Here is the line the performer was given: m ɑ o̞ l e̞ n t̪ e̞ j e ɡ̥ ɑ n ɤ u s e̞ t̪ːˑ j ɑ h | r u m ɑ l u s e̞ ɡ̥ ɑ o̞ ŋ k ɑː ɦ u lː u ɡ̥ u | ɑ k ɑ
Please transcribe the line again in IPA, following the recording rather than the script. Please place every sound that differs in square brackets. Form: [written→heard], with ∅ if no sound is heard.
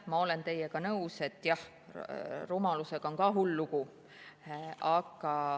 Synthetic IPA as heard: m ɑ o̞ l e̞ n t̪ e̞ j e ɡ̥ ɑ n ɤ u s e̞ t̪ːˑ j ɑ h | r u m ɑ l u s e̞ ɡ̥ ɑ o̞ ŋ k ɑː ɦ u lː u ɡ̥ u | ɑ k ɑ